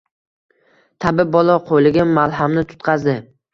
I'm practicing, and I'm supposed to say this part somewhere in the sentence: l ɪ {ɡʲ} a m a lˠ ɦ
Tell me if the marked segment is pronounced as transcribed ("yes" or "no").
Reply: yes